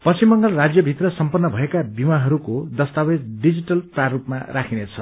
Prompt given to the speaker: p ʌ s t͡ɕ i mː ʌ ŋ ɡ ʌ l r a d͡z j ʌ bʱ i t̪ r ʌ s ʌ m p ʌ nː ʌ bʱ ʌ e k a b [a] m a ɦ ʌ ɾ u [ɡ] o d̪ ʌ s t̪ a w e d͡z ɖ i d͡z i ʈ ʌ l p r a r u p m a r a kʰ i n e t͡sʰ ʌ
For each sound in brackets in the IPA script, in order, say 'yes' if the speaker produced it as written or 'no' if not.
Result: no, no

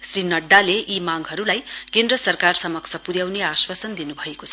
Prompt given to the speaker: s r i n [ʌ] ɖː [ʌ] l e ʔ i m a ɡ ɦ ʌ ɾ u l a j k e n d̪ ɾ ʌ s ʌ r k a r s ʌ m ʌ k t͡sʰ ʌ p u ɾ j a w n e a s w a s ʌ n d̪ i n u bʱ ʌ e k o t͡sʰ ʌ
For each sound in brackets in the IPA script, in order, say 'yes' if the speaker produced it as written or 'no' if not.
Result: yes, no

